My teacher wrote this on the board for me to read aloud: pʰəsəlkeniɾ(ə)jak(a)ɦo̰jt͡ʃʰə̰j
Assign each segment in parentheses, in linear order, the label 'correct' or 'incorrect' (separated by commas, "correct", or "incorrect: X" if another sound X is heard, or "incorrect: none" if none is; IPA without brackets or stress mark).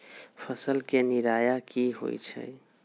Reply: incorrect: a, incorrect: i